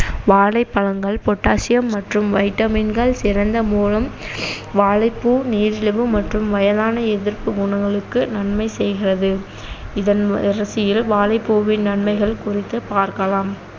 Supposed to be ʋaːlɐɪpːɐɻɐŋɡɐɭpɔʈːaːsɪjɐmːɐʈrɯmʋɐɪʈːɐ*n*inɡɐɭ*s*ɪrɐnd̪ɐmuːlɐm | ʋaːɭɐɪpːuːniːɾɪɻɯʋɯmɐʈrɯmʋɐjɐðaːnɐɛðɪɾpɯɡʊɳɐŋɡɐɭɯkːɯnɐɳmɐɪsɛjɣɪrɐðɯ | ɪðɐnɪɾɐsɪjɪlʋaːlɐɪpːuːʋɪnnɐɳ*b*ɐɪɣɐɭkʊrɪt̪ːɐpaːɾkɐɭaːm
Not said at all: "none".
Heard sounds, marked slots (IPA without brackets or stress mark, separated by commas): m, s, m